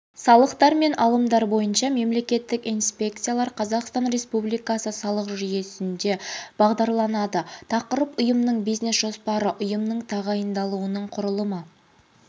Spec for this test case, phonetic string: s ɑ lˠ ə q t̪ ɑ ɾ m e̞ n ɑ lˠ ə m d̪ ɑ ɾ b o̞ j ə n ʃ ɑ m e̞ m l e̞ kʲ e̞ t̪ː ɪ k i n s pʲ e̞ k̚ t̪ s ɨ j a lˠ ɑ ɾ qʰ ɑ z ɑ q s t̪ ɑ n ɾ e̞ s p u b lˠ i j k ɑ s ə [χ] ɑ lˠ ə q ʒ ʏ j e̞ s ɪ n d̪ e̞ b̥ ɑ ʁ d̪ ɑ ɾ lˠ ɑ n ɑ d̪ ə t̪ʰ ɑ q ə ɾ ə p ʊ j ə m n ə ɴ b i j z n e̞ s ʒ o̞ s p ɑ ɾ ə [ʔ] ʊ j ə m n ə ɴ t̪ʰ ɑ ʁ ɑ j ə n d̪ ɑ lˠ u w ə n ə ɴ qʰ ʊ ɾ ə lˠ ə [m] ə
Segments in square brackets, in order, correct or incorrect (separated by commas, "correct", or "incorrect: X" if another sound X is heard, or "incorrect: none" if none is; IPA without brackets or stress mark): incorrect: s, correct, correct